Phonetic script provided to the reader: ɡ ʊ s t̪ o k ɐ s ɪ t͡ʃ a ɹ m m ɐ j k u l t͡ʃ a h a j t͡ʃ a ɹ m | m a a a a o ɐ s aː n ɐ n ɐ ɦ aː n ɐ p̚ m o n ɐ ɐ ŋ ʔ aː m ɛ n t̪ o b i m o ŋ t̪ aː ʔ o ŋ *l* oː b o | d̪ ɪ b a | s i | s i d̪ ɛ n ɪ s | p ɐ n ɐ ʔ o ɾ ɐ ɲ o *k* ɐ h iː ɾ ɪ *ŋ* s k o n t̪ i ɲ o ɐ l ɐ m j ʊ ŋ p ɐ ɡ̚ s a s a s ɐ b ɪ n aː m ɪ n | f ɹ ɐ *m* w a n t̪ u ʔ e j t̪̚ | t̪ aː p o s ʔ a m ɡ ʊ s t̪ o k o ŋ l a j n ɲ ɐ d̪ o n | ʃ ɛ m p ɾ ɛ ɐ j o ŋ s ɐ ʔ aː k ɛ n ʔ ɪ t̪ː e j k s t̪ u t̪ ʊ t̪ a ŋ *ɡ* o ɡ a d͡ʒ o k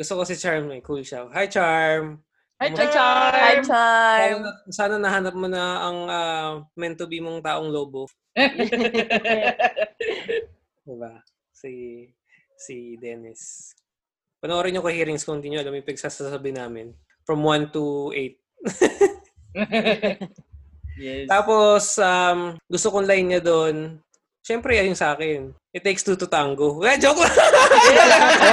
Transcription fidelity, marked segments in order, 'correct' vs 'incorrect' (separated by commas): correct, correct, correct, correct, correct